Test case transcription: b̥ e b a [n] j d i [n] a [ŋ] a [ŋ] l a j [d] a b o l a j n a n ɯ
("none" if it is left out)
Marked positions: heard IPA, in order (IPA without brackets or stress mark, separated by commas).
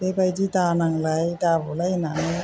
none, d, n, ŋ, d